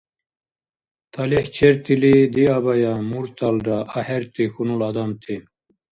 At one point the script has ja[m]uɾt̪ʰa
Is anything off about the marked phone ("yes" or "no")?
no